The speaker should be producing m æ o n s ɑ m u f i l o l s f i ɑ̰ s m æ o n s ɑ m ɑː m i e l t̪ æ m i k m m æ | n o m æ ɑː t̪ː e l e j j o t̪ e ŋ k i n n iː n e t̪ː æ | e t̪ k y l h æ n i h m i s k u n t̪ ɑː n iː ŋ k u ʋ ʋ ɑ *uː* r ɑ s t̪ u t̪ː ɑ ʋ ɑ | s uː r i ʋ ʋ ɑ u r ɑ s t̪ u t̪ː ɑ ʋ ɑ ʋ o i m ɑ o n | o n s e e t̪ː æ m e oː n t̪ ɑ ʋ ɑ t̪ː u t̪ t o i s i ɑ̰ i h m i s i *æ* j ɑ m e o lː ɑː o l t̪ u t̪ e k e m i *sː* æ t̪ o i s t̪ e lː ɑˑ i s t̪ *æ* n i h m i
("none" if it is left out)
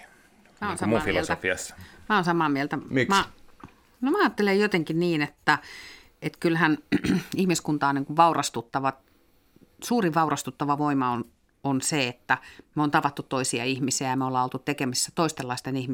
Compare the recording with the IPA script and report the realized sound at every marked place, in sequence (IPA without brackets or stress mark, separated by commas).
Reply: u, æ, sː, e